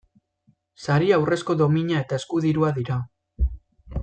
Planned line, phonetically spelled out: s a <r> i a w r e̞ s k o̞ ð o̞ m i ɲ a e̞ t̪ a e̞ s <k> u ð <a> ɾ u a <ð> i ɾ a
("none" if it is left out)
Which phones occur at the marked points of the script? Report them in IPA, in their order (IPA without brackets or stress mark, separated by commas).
ɾ, k, i, ð